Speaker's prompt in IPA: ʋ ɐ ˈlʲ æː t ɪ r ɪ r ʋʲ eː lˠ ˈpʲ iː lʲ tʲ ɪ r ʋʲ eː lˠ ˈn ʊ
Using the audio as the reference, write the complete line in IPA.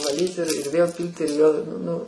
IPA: ʋ ɐ ˈlʲ iː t ɪ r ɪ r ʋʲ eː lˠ ˈpʲ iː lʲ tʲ ɪ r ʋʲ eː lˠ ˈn ʊ